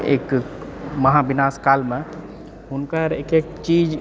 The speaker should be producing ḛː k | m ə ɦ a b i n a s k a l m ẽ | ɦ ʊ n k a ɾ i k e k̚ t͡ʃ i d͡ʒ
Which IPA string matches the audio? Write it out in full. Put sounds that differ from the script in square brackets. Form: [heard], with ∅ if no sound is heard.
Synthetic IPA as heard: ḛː k | m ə ɦ a b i n a s k a l m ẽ | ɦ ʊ n k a ɾ [e] k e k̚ t͡ʃ i d͡ʒ